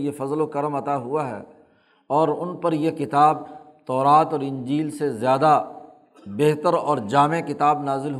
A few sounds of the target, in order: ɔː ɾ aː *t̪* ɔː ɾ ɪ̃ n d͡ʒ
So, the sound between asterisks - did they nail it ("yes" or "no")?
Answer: yes